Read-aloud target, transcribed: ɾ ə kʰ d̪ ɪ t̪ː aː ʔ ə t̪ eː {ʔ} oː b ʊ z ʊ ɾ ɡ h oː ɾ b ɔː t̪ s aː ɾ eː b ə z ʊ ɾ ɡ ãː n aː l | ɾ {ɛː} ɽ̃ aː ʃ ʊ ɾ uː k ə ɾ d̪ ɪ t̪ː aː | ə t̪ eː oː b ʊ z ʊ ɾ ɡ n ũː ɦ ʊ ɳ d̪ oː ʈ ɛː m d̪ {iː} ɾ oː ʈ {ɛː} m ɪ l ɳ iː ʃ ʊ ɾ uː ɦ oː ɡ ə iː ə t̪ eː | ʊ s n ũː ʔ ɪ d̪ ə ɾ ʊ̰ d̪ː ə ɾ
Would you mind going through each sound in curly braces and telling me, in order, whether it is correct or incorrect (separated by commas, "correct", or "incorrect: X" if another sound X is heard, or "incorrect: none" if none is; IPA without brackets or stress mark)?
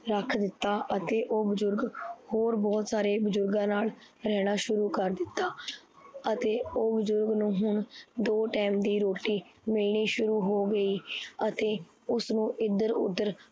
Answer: correct, correct, correct, incorrect: iː